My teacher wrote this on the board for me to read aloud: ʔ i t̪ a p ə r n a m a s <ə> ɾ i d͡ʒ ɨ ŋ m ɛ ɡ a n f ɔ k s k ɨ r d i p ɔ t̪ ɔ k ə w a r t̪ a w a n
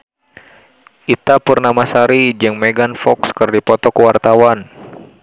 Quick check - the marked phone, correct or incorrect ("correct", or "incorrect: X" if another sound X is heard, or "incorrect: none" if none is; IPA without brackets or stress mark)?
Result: incorrect: a